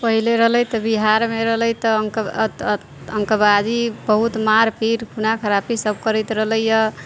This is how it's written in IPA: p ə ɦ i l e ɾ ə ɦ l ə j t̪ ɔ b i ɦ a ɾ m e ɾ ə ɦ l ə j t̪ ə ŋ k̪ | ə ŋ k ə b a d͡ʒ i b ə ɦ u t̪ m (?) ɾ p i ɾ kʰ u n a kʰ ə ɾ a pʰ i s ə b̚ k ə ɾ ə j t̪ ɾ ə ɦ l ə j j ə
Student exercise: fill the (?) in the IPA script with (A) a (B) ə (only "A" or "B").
A